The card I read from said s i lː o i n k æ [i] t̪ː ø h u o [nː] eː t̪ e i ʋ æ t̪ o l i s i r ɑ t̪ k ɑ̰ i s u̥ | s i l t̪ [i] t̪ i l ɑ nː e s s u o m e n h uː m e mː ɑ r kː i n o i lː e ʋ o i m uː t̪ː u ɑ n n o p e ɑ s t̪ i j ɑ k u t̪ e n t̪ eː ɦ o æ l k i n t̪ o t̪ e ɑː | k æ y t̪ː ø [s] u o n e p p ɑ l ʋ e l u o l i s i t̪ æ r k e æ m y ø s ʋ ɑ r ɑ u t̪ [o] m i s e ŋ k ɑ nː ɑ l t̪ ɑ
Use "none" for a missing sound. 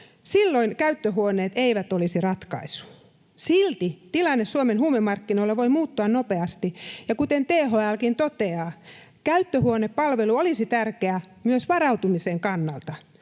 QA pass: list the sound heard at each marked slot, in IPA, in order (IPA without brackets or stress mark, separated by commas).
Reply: y, n, i, h, u